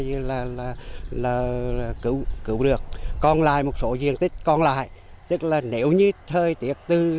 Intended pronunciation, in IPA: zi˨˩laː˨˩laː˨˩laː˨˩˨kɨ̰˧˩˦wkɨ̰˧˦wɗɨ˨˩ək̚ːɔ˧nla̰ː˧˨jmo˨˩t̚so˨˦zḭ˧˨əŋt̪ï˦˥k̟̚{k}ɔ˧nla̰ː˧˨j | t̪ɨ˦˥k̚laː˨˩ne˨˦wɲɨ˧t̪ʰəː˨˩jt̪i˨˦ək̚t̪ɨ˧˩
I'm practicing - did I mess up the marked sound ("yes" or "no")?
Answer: no